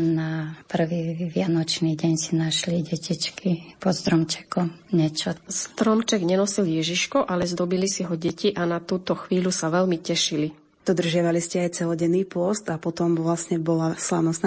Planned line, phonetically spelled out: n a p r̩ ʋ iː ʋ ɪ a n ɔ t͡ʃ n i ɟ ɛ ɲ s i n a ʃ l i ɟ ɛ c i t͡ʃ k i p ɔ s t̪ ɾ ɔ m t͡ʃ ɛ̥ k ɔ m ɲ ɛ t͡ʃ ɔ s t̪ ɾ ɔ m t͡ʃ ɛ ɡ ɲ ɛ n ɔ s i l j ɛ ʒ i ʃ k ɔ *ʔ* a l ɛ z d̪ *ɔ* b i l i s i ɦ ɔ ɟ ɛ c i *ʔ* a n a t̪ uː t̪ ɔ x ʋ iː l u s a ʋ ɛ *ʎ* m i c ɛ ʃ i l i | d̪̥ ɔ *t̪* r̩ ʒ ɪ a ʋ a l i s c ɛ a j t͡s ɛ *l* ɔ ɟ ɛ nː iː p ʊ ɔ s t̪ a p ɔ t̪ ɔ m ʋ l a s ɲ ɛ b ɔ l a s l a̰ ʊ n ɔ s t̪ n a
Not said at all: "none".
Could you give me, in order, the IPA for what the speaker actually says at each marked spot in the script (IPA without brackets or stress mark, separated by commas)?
ʔ, ɔ, ʔ, l, d̪, l